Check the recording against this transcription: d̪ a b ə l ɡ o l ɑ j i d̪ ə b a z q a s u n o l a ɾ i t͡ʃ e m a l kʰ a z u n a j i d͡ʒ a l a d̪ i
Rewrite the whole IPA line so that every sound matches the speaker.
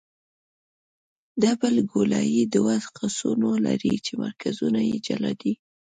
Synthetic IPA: d̪ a b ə l ɡ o l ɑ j i d̪ ə w a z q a s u n o l a ɾ i t͡ʃ e m a ɾ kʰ a z u n a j e d͡ʒ a l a d̪ i